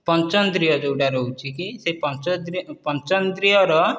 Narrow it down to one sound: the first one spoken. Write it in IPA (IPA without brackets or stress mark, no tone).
p